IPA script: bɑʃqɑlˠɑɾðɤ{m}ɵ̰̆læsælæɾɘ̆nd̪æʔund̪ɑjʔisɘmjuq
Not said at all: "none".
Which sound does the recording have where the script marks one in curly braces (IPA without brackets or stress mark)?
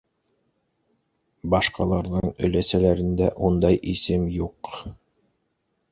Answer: ɴ